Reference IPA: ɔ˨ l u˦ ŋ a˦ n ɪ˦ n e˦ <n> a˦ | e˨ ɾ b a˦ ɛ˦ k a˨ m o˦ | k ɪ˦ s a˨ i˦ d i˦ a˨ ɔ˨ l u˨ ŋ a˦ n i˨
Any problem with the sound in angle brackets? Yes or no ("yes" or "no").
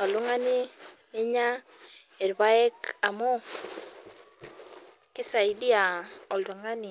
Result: yes